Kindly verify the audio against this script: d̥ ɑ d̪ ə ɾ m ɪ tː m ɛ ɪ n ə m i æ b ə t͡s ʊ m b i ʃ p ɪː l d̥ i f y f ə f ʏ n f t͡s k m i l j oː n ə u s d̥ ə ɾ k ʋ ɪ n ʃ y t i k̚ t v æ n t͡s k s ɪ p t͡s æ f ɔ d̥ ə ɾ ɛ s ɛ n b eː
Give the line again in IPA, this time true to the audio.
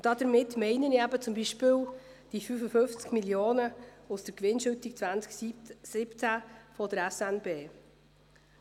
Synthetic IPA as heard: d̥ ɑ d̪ ə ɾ m ɪ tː m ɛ ɪ n ə n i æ b ə t͡s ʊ m b i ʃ p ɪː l d̥ i f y f ə f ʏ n f t͡s k m i l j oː n ə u s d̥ ə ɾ k ʋ ɪ n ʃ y t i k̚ t͡s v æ n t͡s k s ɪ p t͡s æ f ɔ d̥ ə ɾ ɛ s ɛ n b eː